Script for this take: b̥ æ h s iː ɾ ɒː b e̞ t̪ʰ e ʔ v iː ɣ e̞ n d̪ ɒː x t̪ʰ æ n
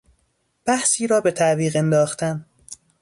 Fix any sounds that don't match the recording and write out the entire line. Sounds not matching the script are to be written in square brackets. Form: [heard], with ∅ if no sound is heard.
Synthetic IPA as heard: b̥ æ h s iː ɾ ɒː b e̞ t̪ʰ [æ] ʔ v iː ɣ e̞ n d̪ ɒː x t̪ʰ æ n